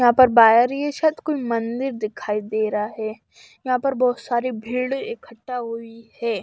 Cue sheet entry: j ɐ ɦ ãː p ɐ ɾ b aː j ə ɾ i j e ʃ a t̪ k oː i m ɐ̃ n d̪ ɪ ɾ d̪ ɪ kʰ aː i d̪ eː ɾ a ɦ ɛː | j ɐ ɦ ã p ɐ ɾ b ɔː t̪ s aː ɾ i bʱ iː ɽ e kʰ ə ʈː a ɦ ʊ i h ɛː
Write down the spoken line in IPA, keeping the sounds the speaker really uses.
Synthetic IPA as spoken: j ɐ ɦ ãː p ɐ ɾ b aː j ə ɾ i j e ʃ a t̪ k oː i m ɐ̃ n d̪ ɪ ɾ d̪ ɪ kʰ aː i d̪ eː ɾ a ɦ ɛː | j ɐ ɦ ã p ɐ ɾ b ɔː t̪ s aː ɾ i bʱ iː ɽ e kʰ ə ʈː a ɦ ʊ i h ɛː